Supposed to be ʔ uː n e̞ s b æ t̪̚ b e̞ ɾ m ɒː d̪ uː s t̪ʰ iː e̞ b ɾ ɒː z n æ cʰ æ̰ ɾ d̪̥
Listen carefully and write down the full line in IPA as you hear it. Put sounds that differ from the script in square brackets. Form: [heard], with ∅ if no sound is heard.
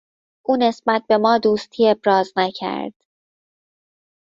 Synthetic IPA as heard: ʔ uː n e̞ s b æ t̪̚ b e̞ [∅] m ɒː d̪ uː s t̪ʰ iː e̞ b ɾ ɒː z n æ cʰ æ̰ ɾ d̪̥